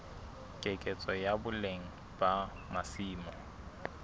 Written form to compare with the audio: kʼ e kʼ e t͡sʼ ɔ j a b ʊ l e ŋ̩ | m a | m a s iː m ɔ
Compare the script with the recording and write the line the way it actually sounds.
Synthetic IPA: kʼ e kʼ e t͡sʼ ɔ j a b ʊ l e ŋ̩ | b a | m a s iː m ɔ